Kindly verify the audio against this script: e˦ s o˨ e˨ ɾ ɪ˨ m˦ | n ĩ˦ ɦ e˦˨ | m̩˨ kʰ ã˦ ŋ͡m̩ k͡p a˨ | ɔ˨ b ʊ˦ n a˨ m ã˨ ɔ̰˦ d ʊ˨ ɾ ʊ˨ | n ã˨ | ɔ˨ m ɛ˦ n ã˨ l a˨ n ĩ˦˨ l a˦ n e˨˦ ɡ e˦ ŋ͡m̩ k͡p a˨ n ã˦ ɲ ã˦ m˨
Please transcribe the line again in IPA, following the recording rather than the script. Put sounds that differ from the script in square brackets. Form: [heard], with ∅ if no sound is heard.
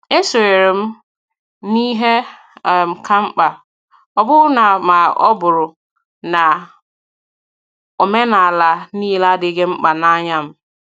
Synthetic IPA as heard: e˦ s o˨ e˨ ɾ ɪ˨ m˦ | n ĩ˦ ɦ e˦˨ | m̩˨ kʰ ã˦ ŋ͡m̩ k͡p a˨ | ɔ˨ b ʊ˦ n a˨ m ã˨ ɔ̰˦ [b] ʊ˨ ɾ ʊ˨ | n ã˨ | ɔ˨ m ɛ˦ n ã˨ l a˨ n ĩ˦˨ l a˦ [d] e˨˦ ɡ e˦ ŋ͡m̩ k͡p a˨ n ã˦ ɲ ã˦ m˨